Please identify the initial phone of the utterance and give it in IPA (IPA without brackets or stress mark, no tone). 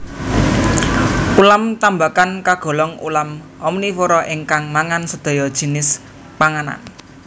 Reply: u